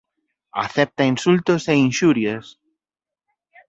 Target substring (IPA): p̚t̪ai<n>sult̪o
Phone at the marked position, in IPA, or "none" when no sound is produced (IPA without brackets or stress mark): n